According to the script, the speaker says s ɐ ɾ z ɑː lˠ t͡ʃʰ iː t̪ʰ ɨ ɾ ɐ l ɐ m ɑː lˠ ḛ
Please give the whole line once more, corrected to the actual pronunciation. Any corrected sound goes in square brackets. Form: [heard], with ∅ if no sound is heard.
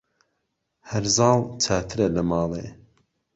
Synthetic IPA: [h] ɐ ɾ z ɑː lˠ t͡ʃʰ [aː] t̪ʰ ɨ ɾ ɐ l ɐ m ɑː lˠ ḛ